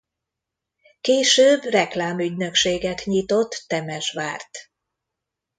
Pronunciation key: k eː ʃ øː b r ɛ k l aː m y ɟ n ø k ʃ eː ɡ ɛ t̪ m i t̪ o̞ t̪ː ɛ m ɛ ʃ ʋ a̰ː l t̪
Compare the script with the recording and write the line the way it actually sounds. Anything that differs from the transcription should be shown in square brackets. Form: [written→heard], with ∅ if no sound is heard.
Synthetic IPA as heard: k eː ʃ øː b r ɛ k l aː m y ɟ n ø k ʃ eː ɡ ɛ t̪ [m→ɲ] i t̪ o̞ t̪ː ɛ m ɛ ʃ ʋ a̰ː [l→r] t̪